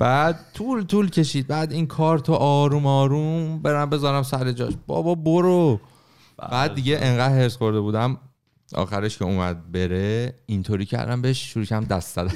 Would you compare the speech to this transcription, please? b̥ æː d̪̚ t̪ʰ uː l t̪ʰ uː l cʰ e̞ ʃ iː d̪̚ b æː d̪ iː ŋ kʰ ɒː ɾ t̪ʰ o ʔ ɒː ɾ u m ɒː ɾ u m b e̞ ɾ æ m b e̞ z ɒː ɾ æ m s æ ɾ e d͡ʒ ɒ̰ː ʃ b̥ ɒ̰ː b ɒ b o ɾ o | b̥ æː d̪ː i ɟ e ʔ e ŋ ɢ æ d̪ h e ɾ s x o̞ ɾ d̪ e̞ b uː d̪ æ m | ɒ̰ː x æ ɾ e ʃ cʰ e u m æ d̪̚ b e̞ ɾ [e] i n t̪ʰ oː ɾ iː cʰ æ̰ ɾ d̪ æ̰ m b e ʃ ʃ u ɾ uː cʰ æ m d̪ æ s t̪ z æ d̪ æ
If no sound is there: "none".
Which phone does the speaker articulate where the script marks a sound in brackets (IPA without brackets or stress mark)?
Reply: e